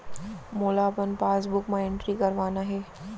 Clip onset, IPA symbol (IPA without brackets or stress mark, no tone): m